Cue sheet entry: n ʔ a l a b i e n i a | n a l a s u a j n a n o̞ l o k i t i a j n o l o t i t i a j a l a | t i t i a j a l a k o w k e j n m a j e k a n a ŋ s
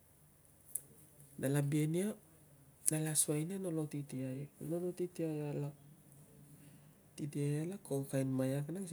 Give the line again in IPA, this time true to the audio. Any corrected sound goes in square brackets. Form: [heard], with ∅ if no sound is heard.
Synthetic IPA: n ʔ a l a b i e n i a | n a l a s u a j n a n o̞ l o [t] i t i a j n o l o t i t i a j a l a | t i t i a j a l a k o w k [a] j n m a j [a] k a n a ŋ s